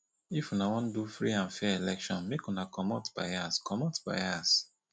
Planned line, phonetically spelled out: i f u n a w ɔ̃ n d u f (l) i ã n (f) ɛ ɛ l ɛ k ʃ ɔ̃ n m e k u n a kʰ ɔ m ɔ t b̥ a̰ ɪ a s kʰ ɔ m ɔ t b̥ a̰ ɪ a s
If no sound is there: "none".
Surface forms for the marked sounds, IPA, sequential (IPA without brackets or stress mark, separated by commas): ɹ, f